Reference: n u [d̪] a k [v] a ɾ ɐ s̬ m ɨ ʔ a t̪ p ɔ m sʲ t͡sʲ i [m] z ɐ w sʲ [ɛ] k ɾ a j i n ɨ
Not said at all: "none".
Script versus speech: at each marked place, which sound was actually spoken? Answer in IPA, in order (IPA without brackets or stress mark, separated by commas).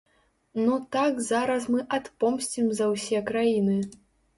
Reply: t̪, z, m, ɛ